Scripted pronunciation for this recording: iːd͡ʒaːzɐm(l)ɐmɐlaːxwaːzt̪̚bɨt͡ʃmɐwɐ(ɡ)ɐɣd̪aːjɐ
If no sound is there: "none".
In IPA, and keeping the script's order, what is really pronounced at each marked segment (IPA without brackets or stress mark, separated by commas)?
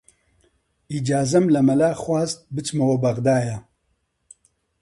l, b